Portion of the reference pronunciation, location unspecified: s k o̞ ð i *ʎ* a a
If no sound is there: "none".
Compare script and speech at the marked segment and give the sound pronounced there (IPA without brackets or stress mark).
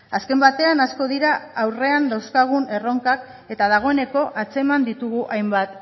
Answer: ɾ